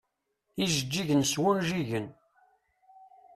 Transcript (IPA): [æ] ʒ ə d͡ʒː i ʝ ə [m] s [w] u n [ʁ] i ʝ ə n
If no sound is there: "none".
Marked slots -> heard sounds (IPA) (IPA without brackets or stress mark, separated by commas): i, n, w, ʒ